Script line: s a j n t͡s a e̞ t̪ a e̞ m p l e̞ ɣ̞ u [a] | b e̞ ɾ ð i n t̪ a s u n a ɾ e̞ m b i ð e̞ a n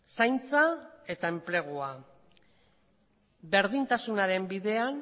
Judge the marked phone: correct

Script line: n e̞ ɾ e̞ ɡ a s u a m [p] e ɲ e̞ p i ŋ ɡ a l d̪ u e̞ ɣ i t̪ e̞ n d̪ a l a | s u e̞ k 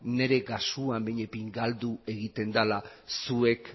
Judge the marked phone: incorrect: b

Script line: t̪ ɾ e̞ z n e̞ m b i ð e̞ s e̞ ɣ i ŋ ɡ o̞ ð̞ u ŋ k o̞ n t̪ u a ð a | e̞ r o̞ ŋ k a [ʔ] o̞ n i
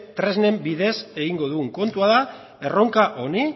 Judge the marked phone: correct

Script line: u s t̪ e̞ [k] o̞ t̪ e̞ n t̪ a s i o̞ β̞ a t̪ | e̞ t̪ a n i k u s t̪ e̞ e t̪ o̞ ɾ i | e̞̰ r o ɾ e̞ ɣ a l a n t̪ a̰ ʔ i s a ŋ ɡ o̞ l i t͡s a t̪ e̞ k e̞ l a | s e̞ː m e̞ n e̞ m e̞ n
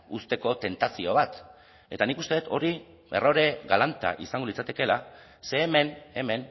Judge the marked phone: correct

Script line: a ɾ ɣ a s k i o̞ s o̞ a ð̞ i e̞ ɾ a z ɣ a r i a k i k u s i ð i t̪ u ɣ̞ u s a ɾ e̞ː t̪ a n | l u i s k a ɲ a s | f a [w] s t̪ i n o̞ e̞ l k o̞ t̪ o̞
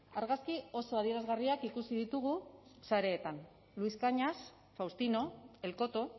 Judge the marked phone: correct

